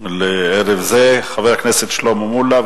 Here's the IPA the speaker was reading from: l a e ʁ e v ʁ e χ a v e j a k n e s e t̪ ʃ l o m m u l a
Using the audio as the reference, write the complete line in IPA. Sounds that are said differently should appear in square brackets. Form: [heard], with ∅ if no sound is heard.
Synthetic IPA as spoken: l [e] e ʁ e v [z] e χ a v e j a k n e s e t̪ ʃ l o m m u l a